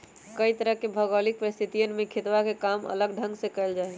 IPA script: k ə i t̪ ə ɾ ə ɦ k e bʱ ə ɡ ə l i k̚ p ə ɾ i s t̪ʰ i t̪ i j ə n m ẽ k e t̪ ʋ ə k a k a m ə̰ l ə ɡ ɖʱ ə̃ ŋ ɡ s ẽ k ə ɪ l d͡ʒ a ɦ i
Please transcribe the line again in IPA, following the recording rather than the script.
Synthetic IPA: k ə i t̪ ə ɾ ə ɦ k e bʱ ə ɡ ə l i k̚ p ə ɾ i s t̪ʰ i t̪ i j ə n m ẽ kʰ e t̪ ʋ a k e k a m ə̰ l ə ɡ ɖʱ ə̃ ŋ ɡ s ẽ k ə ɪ l d͡ʒ a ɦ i

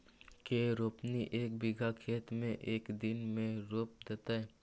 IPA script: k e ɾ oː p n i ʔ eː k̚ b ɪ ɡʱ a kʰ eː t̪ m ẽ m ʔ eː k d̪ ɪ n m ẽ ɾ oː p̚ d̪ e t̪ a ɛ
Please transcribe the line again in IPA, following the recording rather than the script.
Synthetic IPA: k e ɾ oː p n i ʔ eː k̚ b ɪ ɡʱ a kʰ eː t̪ m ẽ ʔ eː k d̪ ɪ n m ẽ ɾ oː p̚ d̪ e t̪ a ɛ

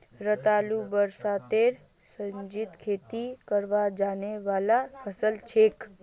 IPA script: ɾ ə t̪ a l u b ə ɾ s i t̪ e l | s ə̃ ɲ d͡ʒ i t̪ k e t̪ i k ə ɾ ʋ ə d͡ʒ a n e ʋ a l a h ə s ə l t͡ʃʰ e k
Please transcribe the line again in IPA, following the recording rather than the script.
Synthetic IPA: ɾ ə t̪ a l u b ə ɾ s a t̪ e ɾ | s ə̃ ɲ d͡ʒ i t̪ kʰ e t̪ i k ə ɾ ʋ a d͡ʒ a n e ʋ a l a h ə s ə l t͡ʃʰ e k

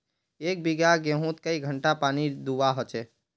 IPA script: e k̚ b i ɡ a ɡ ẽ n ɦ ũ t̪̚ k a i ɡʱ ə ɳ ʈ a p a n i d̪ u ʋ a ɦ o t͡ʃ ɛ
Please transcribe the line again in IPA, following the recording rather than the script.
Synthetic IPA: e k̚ b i ɡ a ɡ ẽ ɦ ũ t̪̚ k ə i ɡʱ ə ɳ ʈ a p a n i d̪ u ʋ a ɦ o t͡ʃ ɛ

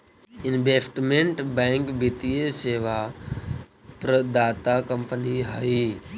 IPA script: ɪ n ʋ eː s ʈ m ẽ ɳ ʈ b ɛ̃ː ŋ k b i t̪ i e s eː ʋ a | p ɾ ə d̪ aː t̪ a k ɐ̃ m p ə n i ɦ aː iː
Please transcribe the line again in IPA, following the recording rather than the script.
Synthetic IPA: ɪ n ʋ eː s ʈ m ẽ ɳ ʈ b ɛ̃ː ŋ k b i t̪ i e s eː ʋ a | p ɾ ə d̪ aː t̪ a k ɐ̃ m p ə n i ɦ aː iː

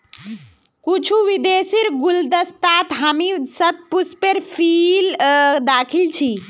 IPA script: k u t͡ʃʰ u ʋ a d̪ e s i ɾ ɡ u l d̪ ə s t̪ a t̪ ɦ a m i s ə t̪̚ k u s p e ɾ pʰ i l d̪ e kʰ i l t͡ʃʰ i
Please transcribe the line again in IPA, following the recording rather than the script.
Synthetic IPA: k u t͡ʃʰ u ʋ i d̪ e s i ɾ ɡ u l d̪ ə s t̪ a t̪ ɦ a m i s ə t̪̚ p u s p e ɾ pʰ i l d̪ a kʰ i l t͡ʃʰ i

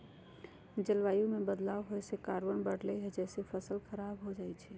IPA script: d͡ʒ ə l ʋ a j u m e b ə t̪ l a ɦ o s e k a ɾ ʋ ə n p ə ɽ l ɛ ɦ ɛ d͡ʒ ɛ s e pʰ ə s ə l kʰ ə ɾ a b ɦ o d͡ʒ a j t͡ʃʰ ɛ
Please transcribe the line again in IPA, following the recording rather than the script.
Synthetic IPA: d͡ʒ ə l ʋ a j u m e b ə d̪ l a ɦ o s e k a ɾ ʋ ə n b ə ɽ l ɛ ɦ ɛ d͡ʒ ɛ s e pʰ ə s ə l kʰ ə ɾ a b ɦ o d͡ʒ a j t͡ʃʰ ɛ

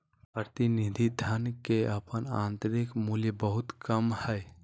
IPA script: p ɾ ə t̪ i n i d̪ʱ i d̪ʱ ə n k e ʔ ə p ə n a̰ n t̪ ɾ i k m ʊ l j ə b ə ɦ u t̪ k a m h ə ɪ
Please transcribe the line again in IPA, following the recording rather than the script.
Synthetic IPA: p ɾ ə t̪ i n i d̪ʱ i d̪ʱ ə n k e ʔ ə p ə n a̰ n t̪ ɾ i k m u l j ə b ə ɦ u t̪ k ə m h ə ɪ

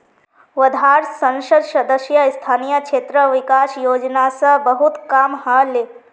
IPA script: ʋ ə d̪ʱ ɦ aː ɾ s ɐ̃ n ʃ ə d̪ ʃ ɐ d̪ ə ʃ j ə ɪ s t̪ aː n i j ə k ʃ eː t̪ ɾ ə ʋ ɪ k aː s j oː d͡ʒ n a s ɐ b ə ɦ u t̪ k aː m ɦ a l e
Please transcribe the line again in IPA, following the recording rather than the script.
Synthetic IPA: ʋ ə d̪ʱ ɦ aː ɾ s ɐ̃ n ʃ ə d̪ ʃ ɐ d̪ ə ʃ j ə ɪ s t̪ʰ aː n i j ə k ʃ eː t̪ ɾ ə ʋ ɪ k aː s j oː d͡ʒ n a s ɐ b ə ɦ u t̪ k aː m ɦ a l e

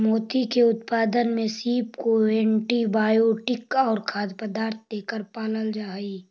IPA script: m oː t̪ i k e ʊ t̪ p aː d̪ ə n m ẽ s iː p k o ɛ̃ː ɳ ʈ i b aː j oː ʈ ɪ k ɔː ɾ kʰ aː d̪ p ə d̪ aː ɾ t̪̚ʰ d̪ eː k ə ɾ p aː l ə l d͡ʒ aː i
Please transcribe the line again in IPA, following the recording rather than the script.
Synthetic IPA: m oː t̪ i k e ʊ t̪ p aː d̪ ə n m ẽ s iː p k o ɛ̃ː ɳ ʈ i b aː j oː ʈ ɪ k ɔː ɾ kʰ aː d̪ p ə d̪ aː ɾ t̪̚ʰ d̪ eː k ə ɾ p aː l ə l d͡ʒ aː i

